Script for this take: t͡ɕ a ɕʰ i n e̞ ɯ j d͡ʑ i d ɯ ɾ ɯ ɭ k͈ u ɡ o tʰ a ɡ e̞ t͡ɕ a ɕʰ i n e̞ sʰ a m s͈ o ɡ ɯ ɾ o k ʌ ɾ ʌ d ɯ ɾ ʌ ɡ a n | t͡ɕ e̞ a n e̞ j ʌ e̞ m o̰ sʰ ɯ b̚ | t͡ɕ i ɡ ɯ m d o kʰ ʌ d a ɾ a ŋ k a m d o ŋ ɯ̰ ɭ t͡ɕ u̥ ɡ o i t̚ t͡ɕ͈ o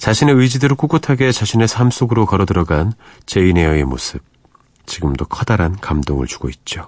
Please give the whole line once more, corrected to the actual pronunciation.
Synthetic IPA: t͡ɕ a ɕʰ i n e̞ ɯ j d͡ʑ i d ɯ ɾ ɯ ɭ k͈ u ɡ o tʰ a ɡ e̞ t͡ɕ a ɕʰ i n e̞ sʰ a m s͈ o ɡ ɯ ɾ o k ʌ ɾ ʌ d ɯ ɾ ʌ ɡ a n | t͡ɕ e̞ i n e̞ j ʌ e̞ m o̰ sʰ ɯ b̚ | t͡ɕ i ɡ ɯ m d o kʰ ʌ d a ɾ a n k a m d o ŋ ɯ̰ ɭ t͡ɕ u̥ ɡ o i t̚ t͡ɕ͈ o